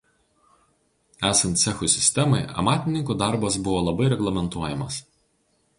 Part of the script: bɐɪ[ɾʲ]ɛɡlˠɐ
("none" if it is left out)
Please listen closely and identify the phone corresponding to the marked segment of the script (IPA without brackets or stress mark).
ɾʲ